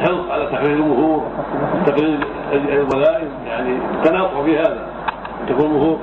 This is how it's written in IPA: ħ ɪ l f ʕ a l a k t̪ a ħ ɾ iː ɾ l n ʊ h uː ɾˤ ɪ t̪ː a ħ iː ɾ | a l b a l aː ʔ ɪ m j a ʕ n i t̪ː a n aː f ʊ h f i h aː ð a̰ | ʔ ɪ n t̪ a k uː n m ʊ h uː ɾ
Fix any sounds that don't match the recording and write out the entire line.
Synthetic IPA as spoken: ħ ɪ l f ʕ a l a t̪ a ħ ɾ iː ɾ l m ʊ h uː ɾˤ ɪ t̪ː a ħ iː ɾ | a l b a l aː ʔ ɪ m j a ʕ n i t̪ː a n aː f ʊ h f i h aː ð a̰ | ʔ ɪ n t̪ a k uː n m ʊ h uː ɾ